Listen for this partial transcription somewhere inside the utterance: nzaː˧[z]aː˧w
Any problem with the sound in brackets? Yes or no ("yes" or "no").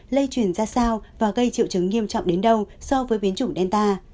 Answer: yes